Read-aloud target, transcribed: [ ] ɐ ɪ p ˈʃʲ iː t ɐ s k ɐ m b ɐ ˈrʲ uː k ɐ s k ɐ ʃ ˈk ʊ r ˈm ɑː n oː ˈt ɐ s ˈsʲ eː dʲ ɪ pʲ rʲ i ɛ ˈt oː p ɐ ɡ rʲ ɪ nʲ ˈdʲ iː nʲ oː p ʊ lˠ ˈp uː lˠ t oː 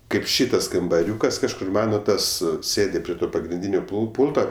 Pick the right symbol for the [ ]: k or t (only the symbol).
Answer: k